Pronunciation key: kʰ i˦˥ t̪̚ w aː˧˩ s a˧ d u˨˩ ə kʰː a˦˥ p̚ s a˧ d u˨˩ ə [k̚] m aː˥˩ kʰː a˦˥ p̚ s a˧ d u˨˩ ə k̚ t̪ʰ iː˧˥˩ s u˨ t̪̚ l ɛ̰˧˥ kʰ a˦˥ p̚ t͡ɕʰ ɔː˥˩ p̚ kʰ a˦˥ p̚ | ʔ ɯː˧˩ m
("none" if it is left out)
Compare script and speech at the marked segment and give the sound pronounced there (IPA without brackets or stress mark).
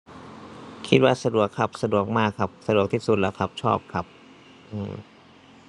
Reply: k̚